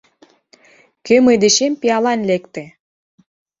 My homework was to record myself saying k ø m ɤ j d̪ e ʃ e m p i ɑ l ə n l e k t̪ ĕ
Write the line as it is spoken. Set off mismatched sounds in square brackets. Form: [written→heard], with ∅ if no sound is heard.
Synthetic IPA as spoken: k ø m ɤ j d̪ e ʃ e m p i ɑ l [ə→ɑ] n l e k t̪ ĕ